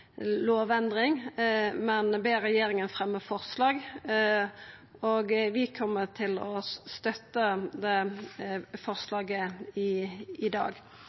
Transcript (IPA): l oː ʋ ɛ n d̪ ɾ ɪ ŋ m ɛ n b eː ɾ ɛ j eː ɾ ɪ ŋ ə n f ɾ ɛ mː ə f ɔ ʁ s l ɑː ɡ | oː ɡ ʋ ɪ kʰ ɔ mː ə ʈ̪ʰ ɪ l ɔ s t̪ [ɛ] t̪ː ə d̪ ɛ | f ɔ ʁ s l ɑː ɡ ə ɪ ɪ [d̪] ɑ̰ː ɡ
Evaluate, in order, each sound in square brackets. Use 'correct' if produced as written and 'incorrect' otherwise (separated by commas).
incorrect, correct